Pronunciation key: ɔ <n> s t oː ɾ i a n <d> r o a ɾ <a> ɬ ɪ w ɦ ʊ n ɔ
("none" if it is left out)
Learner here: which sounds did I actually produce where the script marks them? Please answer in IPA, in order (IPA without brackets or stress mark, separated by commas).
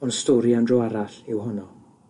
n, d, a